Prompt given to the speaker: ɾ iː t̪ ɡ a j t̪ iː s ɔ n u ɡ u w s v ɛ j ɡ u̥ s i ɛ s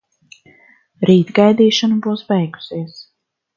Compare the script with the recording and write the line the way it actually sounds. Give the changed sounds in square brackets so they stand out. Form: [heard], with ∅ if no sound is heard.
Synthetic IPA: ɾ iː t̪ ɡ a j [d̪] iː [ʃ] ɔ n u [b] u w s [b] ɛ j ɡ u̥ s i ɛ s